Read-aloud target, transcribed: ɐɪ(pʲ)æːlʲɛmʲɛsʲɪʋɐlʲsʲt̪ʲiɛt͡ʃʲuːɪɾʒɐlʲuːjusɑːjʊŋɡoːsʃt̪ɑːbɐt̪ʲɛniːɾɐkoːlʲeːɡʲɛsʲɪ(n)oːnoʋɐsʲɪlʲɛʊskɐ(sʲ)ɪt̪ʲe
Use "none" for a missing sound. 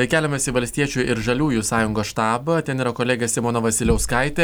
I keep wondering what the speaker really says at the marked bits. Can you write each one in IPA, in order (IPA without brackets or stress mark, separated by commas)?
kʲ, m, none